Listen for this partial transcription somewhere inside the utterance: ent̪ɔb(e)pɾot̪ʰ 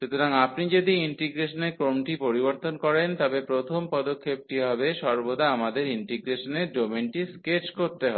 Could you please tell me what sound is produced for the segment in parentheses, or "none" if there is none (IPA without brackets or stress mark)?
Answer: e